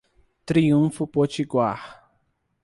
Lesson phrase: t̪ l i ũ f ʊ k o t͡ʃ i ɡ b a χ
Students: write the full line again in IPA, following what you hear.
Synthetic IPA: t̪ ɾ i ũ f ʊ p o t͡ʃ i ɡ w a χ